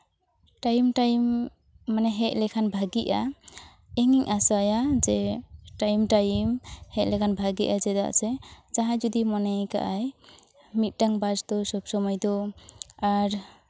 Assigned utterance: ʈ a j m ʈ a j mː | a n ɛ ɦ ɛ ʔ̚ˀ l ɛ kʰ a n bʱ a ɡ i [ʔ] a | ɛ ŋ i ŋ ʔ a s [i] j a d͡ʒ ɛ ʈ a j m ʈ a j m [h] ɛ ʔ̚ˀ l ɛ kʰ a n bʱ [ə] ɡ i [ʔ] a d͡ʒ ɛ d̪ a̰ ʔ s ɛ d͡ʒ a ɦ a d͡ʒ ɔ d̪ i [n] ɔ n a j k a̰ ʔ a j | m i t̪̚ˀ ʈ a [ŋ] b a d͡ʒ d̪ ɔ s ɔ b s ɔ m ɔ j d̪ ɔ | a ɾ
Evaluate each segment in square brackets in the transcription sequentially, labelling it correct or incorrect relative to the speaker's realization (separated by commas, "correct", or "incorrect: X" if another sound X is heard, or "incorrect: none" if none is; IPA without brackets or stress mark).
correct, incorrect: a, correct, incorrect: a, correct, incorrect: m, correct